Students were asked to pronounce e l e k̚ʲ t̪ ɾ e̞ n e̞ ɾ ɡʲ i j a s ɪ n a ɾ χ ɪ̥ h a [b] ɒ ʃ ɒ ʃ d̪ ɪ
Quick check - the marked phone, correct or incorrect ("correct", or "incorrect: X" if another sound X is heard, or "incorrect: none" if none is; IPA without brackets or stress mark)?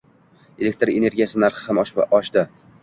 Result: incorrect: m